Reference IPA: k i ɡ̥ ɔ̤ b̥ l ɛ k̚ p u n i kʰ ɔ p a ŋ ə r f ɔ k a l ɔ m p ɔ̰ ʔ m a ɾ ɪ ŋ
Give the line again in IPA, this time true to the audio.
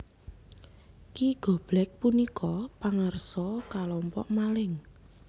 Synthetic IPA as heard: k i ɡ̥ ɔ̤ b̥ l ɛ k̚ p u n i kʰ ɔ p a ŋ ə r s ɔ k a l ɔ m p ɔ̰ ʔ m a l ɪ ŋ